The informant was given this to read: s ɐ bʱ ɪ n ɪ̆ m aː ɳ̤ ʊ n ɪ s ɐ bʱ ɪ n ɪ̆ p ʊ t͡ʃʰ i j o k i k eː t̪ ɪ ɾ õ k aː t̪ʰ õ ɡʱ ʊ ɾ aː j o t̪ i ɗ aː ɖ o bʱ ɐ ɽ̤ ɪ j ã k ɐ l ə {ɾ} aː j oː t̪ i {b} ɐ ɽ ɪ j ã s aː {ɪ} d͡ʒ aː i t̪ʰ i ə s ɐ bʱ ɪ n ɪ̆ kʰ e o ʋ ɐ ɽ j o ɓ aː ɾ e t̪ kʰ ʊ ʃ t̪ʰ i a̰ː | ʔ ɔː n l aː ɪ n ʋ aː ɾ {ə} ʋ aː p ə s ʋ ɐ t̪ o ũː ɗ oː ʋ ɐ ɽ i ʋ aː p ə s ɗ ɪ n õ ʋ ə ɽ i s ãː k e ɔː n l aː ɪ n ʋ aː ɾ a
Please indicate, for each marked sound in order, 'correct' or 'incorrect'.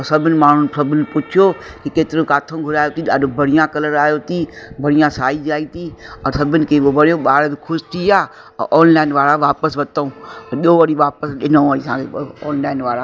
correct, correct, incorrect: i, incorrect: a

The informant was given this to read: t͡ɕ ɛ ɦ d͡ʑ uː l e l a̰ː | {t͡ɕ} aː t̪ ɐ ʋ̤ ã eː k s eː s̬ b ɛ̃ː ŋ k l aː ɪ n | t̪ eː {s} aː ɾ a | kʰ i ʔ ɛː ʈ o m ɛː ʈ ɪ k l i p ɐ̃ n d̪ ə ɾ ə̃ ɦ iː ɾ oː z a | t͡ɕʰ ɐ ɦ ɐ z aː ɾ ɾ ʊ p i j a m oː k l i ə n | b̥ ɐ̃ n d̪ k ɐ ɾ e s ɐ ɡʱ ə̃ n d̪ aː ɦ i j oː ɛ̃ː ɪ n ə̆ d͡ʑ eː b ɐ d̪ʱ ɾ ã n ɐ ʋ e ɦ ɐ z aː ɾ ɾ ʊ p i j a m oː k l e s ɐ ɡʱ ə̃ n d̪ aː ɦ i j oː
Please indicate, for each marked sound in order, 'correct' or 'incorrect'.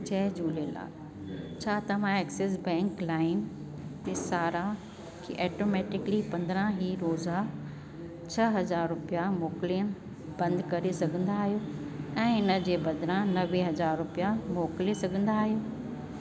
incorrect: t͡ɕʰ, correct

